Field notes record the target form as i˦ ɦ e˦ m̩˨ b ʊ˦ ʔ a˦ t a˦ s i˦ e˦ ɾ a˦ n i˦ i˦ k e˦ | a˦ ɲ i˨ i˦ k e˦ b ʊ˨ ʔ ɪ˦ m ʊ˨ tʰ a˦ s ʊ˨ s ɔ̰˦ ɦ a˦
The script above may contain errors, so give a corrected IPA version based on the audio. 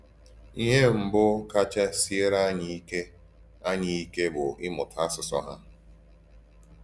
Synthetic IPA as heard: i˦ ɦ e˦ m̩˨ b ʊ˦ k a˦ t͡ʃ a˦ s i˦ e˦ ɾ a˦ ɲ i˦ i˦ k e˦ | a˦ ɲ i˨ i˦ k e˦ b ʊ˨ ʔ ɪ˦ m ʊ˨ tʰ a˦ s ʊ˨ s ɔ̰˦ ɦ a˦

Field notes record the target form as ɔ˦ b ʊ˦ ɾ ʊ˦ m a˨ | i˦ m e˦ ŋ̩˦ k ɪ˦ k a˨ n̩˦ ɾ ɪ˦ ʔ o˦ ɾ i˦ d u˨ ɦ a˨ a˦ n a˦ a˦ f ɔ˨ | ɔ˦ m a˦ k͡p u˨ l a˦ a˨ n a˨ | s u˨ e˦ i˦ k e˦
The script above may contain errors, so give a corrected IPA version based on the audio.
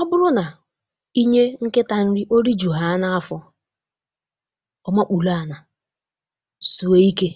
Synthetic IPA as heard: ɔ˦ b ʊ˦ ɾ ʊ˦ n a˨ | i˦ ɲ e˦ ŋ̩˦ k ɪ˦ t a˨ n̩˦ ɾ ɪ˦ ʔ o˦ ɾ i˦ d͡ʒ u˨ ɦ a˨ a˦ n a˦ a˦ f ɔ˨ | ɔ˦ m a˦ k͡p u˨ l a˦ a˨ n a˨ | s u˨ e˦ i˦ k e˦

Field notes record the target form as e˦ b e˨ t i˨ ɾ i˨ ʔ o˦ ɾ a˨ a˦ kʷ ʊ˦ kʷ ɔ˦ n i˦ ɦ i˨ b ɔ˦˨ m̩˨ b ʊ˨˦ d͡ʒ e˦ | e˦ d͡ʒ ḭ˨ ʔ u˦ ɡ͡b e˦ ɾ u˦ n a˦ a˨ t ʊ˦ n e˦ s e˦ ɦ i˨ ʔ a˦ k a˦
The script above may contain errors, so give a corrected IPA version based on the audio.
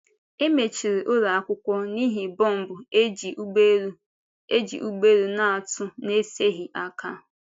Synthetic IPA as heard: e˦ m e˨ t͡ʃ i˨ ɾ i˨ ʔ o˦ ɾ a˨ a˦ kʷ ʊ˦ kʷ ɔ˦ n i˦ ɦ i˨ b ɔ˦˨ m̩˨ b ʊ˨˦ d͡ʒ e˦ | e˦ d͡ʒ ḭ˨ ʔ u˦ ɡ͡b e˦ ɾ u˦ n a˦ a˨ t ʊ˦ n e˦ s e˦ ɦ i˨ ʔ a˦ k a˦

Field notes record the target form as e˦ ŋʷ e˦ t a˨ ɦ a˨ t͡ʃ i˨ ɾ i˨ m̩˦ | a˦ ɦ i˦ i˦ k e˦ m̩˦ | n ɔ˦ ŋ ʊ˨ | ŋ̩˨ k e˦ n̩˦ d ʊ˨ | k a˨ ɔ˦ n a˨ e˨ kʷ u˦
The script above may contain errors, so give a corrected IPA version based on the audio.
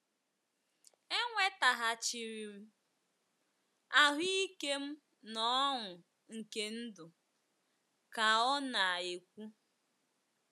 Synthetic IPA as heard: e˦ ŋʷ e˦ t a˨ ɦ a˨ t͡ʃ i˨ ɾ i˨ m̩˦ | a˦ ɦ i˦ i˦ k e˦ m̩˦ | n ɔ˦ ŋ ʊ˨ | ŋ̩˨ k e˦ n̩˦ d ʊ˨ | k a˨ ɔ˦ n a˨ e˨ kʷ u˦

